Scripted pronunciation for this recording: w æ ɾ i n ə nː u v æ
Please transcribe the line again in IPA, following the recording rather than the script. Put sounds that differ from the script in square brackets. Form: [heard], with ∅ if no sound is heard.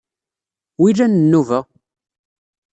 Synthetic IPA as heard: w [i] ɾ [æ] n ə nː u v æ